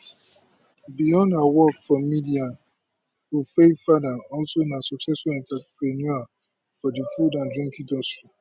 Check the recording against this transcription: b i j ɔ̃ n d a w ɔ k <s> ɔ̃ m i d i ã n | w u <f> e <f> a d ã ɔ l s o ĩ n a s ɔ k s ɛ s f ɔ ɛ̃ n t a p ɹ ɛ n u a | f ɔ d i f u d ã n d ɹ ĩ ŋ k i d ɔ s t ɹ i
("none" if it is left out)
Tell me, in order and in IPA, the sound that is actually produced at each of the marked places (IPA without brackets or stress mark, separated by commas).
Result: f, f, f